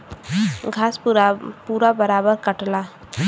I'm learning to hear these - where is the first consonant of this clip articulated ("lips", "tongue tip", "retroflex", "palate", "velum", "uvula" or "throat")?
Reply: velum